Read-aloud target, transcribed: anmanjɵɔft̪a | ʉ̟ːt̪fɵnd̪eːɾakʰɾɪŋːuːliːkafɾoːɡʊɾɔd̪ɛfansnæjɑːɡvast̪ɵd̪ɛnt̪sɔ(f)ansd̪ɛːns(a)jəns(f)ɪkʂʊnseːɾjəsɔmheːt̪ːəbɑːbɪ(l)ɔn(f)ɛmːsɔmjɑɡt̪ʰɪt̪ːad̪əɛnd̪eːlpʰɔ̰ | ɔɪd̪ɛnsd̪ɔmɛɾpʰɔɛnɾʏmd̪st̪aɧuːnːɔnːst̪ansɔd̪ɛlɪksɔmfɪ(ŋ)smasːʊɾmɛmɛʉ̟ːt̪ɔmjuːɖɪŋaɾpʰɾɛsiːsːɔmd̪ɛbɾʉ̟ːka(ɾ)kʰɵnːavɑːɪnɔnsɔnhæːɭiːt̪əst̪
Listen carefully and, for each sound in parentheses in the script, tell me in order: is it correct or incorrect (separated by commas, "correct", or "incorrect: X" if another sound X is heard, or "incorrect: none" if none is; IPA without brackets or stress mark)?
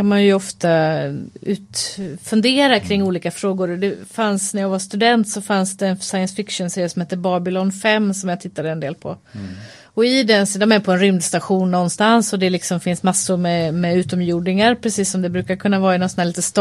correct, correct, correct, correct, correct, incorrect: n, correct